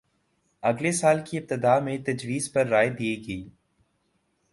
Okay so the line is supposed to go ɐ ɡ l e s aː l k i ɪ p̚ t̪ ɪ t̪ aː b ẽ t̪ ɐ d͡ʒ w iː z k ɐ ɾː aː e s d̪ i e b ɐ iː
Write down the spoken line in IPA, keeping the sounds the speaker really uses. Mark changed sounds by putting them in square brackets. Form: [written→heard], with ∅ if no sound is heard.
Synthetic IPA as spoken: ɐ ɡ l e s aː l k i ɪ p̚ t̪ ɪ [t̪→d̪] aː [b→m] ẽ t̪ ɐ d͡ʒ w iː z [k→p] ɐ ɾː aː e [s→∅] d̪ i e [b→ɡ] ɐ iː

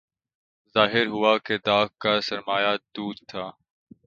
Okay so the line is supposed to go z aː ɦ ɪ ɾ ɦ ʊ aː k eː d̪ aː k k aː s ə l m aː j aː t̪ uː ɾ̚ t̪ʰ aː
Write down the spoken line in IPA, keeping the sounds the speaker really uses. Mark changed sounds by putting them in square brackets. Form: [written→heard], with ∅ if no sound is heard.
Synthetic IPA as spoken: z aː ɦ ɪ ɾ ɦ ʊ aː k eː d̪ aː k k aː s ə [l→ɾ] m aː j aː [t̪→d̪] uː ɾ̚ t̪ʰ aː

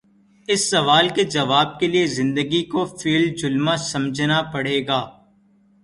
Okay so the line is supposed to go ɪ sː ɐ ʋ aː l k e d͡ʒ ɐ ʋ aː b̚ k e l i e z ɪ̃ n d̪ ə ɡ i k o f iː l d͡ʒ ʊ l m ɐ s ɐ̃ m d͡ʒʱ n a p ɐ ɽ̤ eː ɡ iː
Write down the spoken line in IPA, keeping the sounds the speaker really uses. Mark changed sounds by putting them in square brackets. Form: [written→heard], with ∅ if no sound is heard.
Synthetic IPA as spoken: ɪ sː ɐ ʋ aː l k e d͡ʒ ɐ ʋ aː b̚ k e l i e z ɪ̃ n d̪ ə ɡ i k o f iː l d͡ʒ ʊ l m [ɐ→a] s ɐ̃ m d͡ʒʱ n a p ɐ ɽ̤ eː ɡ [iː→aː]

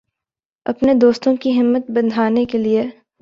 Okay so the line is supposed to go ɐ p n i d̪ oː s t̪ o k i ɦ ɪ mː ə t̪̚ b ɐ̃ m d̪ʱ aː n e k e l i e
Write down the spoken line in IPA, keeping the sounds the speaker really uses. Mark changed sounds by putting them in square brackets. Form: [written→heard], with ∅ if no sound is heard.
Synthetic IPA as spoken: ɐ p n [i→e] d̪ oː s t̪ [o→õ] k i ɦ ɪ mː ə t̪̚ b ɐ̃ [m→n] d̪ʱ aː n e k e l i e

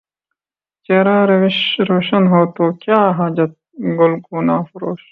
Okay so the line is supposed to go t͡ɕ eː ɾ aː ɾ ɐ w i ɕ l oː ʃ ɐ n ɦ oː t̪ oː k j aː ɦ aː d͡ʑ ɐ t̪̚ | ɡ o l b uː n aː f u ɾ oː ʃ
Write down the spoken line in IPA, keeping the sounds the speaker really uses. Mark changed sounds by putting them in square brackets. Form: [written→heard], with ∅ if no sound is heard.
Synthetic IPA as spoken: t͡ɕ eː ɾ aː ɾ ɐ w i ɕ [l→ɾ] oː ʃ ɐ n ɦ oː t̪ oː k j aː ɦ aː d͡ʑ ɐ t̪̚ | ɡ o l [b→ɡ] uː n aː f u ɾ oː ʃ

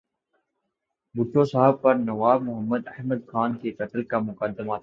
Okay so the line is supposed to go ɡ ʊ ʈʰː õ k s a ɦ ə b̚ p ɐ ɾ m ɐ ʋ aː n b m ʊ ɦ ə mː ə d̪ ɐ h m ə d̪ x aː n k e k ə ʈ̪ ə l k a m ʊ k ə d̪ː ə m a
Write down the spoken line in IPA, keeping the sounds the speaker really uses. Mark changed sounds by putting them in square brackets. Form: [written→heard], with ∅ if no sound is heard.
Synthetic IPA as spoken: [ɡ→b] ʊ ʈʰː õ [k→∅] s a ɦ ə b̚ p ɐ ɾ [m→n] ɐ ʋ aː [n→∅] b m ʊ ɦ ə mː ə d̪ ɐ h m ə d̪ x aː n k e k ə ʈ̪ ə l k a m ʊ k ə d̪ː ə m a

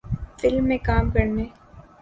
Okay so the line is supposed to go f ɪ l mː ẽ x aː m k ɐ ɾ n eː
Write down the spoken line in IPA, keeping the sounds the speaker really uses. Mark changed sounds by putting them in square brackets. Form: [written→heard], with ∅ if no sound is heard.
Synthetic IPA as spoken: f ɪ l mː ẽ [x→k] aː m k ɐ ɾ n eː

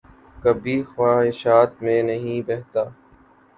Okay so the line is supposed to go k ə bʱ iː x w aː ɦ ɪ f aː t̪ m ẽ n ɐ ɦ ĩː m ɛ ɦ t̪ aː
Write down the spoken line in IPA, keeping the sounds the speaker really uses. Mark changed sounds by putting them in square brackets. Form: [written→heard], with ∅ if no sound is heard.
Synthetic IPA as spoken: k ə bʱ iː x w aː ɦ ɪ [f→ʃ] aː t̪ m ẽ n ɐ ɦ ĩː [m→b] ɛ ɦ t̪ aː

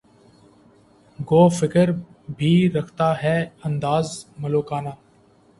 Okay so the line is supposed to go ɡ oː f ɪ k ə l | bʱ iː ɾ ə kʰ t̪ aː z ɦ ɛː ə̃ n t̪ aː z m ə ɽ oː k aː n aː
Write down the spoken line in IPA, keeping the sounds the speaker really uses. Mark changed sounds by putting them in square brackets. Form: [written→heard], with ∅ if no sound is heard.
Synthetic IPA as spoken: ɡ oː f ɪ k ə [l→ɾ] | bʱ iː ɾ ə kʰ t̪ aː [z→∅] ɦ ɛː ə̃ n [t̪→d̪] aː z m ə [ɽ→l] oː k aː n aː

